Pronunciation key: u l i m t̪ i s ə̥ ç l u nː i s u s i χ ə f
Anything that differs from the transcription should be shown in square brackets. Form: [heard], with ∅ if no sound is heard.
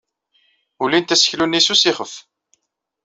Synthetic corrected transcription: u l i [n] t̪ [æ] s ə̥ ç l u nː i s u s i χ ə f